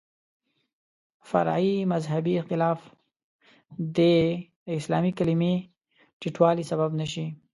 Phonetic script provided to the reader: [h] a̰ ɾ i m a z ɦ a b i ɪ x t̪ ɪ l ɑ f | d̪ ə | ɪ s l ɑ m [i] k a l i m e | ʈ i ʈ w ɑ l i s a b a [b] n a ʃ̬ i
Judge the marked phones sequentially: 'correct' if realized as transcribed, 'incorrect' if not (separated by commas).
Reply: incorrect, correct, correct